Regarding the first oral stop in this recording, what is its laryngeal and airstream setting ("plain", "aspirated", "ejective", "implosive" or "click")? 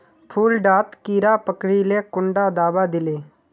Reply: aspirated